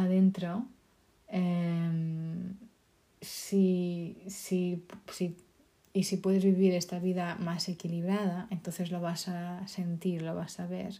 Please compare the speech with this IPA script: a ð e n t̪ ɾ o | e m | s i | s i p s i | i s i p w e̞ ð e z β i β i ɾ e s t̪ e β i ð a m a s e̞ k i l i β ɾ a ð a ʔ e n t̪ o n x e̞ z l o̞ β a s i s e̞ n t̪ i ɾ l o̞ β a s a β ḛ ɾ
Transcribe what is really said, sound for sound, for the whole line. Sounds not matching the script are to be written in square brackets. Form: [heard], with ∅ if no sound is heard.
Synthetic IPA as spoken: a ð e n t̪ ɾ o | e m | s i | s i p s i | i s i p w e̞ ð e z β i β i ɾ e s t̪ [a] β i ð a m a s e̞ k i l i β ɾ a ð a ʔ e n t̪ o n [θ] e̞ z l o̞ β a s [a] s e̞ n t̪ i ɾ l o̞ β a s a β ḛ ɾ